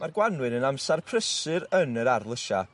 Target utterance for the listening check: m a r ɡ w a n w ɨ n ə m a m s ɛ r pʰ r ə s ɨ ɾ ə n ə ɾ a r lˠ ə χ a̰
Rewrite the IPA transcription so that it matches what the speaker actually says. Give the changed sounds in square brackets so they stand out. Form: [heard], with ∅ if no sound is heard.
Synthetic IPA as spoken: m a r ɡ w a n w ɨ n ə [n] a m s [a] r pʰ r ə s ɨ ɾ ə n ə ɾ a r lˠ ə [ʃ] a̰